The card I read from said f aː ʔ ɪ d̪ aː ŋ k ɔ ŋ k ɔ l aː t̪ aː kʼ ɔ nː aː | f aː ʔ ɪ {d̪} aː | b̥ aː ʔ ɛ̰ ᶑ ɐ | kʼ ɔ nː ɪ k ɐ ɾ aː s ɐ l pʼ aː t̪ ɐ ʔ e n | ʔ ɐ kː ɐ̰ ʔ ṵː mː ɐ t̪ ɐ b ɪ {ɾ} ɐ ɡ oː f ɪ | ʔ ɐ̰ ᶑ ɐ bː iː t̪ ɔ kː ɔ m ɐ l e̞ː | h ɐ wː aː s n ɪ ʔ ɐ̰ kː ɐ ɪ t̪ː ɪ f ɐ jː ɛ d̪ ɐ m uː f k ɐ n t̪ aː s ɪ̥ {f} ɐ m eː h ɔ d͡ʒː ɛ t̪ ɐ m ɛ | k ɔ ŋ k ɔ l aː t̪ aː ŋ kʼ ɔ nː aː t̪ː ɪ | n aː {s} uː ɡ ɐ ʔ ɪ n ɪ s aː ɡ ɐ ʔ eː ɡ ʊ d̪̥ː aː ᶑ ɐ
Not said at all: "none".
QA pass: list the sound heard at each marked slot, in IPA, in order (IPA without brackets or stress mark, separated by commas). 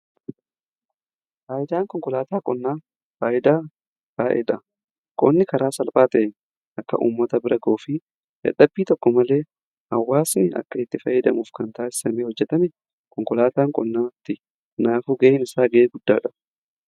d̪, ɾ, s, f